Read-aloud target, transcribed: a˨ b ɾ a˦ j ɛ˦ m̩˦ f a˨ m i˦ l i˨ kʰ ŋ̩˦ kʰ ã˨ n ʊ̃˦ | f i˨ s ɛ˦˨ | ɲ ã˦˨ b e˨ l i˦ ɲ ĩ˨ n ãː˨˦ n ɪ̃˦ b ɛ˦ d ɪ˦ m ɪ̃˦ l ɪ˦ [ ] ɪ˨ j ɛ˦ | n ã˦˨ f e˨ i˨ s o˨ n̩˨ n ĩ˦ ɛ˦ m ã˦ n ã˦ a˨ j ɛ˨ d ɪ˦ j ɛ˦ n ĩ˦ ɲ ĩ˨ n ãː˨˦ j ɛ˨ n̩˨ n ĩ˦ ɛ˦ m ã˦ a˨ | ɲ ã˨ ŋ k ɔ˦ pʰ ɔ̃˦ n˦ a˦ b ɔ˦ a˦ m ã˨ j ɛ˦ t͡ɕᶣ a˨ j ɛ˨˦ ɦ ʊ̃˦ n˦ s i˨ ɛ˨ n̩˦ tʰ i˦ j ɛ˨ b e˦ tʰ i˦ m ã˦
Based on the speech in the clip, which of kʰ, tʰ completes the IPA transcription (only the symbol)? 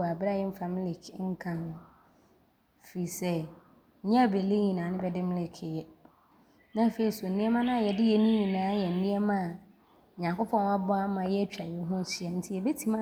kʰ